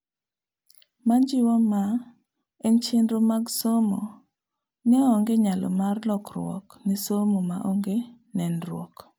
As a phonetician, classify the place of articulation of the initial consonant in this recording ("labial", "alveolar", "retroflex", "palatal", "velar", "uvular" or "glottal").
labial